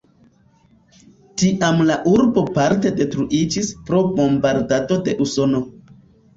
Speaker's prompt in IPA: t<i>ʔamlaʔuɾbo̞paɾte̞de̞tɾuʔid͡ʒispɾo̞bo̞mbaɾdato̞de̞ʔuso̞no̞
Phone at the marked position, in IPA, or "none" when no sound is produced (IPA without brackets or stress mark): i